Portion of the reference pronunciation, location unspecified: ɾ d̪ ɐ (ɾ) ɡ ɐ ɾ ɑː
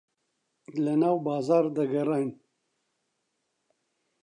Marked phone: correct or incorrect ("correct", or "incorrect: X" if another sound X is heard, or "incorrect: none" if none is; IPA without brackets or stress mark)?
incorrect: none